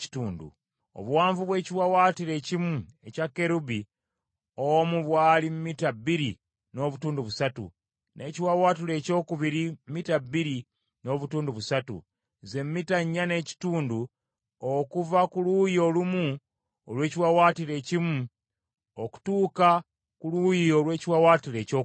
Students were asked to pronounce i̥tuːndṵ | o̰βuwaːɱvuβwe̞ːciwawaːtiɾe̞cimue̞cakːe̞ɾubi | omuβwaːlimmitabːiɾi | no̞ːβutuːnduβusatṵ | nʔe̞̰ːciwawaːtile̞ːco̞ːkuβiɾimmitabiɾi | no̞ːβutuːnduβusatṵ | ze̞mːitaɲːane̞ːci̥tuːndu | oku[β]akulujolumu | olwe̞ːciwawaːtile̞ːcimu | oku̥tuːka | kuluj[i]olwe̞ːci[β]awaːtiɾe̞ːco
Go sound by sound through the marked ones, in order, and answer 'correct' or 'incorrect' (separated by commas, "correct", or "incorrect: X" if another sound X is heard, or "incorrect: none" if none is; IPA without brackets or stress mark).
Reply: incorrect: v, correct, incorrect: w